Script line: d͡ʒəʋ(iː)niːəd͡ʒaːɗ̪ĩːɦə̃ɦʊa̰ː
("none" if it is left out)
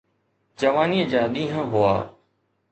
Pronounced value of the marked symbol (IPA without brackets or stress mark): aː